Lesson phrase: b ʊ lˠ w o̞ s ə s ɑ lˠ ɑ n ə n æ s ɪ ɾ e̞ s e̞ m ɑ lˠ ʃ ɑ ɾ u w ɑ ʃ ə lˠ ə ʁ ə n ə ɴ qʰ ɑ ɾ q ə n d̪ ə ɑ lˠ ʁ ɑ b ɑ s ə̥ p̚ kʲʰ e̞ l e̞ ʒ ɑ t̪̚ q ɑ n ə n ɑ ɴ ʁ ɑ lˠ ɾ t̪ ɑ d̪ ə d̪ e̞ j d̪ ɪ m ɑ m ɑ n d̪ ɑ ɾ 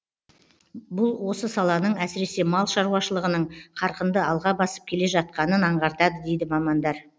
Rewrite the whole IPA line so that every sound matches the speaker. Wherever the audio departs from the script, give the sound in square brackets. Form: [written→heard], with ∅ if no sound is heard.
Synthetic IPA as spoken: b ʊ lˠ w o̞ s ə s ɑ lˠ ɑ n ə [n→ɴ] æ s ɪ ɾ e̞ s e̞ m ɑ lˠ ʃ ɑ ɾ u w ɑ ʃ ə lˠ ə ʁ ə n ə ɴ qʰ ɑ ɾ q ə n d̪ ə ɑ lˠ ʁ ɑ b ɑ s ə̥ p̚ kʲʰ e̞ l e̞ ʒ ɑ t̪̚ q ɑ n ə n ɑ ɴ ʁ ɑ [lˠ→∅] ɾ t̪ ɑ d̪ ə d̪ e̞ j d̪ ɪ m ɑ m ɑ n d̪ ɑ ɾ